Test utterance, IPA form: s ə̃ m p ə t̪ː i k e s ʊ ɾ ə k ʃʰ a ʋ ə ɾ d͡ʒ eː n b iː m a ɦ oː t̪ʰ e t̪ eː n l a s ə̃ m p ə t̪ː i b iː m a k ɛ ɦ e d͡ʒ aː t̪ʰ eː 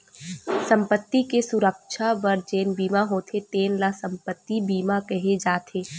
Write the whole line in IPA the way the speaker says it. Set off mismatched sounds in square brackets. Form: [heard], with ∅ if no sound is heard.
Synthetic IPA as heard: s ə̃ m p ə t̪ː i k e s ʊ ɾ ə k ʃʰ a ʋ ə ɾ d͡ʒ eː n b iː m a ɦ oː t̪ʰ e t̪ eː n l a s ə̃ m p ə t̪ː i b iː m a k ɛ ɦ e d͡ʒ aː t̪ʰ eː

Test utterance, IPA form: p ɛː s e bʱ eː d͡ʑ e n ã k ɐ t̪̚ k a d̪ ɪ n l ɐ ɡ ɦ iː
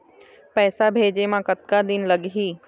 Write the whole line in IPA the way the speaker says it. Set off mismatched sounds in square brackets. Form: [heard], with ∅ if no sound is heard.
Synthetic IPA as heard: p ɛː s [a] bʱ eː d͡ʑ e [m] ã k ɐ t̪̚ k a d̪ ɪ n l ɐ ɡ ɦ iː

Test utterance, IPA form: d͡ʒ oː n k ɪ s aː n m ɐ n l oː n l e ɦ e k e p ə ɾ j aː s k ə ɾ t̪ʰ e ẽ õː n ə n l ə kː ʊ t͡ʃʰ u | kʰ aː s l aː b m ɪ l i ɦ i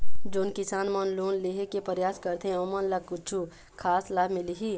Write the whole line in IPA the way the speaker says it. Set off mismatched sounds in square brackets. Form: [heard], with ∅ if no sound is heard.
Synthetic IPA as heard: d͡ʒ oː n k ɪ s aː n m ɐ n l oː n l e ɦ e k e p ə ɾ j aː s k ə ɾ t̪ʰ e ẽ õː [m] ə n l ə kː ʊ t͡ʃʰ u | kʰ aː s l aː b m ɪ l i ɦ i

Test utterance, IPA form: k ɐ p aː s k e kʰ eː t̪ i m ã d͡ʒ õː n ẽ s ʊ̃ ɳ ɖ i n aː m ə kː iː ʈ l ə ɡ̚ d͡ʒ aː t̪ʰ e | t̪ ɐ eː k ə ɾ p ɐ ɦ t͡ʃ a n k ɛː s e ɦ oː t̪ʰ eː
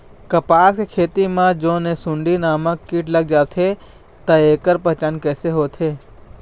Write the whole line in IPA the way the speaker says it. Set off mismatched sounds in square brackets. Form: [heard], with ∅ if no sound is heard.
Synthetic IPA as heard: k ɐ p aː s k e kʰ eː t̪ i m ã d͡ʒ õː n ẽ s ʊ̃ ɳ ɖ i n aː m ə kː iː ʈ l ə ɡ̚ d͡ʒ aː t̪ʰ e | t̪ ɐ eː k ə ɾ p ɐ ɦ t͡ʃ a n k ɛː s e ɦ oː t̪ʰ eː

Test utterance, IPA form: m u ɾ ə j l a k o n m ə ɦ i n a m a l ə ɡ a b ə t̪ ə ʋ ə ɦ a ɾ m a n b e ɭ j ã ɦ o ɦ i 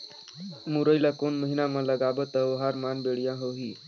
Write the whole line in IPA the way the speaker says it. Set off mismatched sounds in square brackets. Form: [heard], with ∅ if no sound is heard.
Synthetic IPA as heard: m u ɾ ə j l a k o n m ə ɦ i n a m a l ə ɡ a b ə t̪ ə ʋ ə ɦ a ɾ m a n b e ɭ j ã ɦ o ɦ i

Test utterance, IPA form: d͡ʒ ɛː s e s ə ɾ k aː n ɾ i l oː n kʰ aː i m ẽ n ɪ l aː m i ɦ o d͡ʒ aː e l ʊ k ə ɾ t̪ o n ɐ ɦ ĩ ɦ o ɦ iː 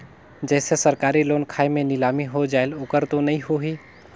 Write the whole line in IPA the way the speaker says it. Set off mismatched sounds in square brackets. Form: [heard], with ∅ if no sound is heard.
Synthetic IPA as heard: d͡ʒ ɛː s e s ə ɾ k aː [∅] ɾ i l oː n kʰ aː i m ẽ n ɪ l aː m i ɦ o d͡ʒ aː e l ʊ k ə ɾ t̪ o n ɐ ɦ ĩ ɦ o ɦ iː

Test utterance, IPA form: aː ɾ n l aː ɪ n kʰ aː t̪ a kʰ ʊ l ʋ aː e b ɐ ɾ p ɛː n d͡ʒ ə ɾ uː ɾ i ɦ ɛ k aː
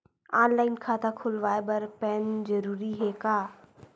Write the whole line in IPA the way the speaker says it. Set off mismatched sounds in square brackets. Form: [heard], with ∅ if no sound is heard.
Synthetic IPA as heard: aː [∅] n l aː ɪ n kʰ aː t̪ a kʰ ʊ l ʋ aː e b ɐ ɾ p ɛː n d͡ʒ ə ɾ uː ɾ i ɦ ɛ k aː

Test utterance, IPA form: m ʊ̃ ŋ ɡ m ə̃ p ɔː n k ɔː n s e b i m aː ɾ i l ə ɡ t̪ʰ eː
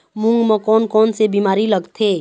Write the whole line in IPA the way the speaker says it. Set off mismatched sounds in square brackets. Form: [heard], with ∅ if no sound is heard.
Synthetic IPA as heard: m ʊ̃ ŋ ɡ m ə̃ [k] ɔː n k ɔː n s e b i m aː ɾ i l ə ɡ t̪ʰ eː

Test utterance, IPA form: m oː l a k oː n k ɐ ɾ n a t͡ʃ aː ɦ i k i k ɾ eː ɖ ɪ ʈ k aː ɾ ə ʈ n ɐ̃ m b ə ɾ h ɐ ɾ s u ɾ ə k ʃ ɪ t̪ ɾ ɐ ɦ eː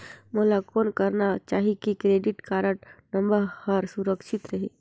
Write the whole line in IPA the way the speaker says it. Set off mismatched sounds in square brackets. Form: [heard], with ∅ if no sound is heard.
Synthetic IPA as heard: m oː l a k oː n k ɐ ɾ n a t͡ʃ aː ɦ i k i k ɾ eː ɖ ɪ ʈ k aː ɾ ə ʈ n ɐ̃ m b ə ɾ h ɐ ɾ s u ɾ ə k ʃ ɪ t̪ ɾ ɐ ɦ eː

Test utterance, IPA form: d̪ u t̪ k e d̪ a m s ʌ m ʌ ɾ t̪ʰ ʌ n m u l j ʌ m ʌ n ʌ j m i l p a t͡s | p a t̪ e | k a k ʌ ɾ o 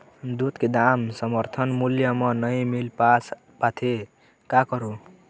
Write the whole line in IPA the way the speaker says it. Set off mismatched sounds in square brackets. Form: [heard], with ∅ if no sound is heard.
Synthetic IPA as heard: d̪ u t̪ k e d̪ a m s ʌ m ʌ ɾ t̪ʰ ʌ n m u l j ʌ m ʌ n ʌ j m i l p a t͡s | p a [t̪ʰ] e | k a k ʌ ɾ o

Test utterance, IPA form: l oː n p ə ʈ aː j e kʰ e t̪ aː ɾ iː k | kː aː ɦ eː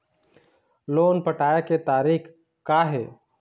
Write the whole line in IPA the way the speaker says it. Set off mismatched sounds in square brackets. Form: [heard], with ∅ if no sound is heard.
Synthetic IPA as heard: l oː n p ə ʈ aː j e [k] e t̪ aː ɾ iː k | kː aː ɦ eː

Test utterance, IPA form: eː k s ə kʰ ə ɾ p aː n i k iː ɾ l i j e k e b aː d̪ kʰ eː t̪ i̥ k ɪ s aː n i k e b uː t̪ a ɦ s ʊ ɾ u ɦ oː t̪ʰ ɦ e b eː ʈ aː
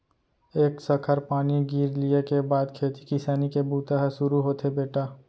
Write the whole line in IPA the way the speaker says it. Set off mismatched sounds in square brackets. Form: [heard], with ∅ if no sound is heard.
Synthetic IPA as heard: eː k s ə kʰ ə ɾ p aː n i [ɡ] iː ɾ l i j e k e b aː d̪ kʰ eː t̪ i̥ k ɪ s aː n i k e b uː t̪ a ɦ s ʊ ɾ u ɦ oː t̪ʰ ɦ e b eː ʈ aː

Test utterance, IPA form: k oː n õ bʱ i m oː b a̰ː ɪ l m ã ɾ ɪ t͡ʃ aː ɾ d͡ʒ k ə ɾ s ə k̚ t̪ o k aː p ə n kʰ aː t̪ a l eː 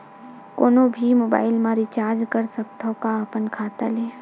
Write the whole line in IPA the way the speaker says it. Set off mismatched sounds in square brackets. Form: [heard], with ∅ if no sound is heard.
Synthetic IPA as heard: k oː n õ bʱ i m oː b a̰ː ɪ l m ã ɾ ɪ t͡ʃ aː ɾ d͡ʒ k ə ɾ s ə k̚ t̪ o k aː p ə n kʰ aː t̪ a l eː

